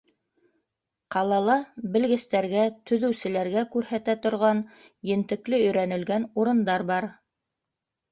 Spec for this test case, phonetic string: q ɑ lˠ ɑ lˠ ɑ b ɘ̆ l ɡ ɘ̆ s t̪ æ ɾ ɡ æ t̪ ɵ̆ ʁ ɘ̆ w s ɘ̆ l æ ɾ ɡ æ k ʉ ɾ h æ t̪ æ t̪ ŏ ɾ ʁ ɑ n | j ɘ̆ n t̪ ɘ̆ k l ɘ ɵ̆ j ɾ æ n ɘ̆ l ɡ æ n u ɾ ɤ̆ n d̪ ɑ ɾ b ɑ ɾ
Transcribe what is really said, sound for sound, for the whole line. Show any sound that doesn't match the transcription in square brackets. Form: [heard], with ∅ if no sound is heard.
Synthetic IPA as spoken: q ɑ lˠ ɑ lˠ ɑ b ɘ̆ l ɡ ɘ̆ s t̪ æ ɾ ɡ æ t̪ ɵ̆ [ð] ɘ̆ w s ɘ̆ l æ ɾ ɡ æ k ʉ ɾ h æ t̪ æ t̪ ŏ ɾ ʁ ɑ n | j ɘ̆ n t̪ ɘ̆ k l ɘ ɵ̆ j ɾ æ n ɘ̆ l ɡ æ n u ɾ ɤ̆ n d̪ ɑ ɾ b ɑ ɾ